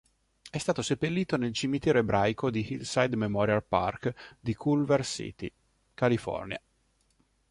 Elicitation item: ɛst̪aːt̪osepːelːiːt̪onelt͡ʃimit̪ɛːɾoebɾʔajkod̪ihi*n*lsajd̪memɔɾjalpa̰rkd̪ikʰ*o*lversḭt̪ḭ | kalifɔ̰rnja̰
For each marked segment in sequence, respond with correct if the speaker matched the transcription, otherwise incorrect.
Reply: incorrect: none, incorrect: u

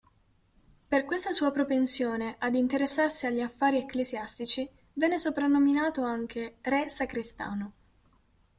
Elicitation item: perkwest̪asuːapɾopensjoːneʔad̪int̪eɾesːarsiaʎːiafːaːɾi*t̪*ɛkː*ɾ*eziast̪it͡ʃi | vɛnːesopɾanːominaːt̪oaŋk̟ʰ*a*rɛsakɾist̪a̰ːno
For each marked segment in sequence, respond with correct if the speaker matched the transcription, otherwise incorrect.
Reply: incorrect: none, incorrect: l, incorrect: e

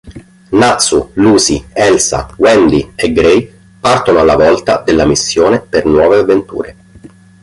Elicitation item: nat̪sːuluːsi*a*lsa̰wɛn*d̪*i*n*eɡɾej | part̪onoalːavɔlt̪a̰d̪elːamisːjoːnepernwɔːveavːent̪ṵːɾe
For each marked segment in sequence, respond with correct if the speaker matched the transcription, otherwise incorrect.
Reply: incorrect: ɛ, correct, incorrect: none

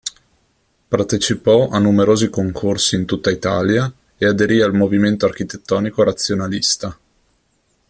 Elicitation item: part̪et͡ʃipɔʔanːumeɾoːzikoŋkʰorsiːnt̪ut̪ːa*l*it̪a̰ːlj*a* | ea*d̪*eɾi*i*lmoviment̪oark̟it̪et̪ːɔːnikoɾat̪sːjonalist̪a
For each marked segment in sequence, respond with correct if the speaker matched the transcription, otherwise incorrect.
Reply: incorrect: none, correct, correct, incorrect: a

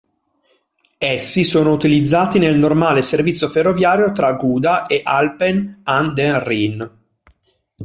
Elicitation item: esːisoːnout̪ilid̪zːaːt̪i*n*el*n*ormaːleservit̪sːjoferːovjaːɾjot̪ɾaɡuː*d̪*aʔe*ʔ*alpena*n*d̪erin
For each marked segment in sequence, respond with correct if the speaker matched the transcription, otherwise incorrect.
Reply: correct, correct, correct, correct, correct

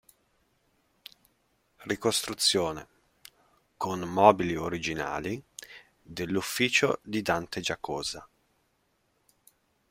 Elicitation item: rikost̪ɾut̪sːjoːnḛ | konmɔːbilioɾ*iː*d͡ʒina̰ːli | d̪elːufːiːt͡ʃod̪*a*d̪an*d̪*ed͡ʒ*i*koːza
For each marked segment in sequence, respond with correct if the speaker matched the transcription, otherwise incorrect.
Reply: incorrect: i, incorrect: i, incorrect: t̪, incorrect: a

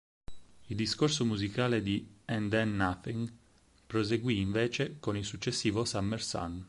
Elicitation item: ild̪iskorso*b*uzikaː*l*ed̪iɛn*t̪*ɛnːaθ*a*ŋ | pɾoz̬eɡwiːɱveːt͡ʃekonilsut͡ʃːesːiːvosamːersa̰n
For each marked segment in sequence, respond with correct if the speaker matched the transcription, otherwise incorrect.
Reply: incorrect: m, correct, incorrect: d̪, incorrect: i

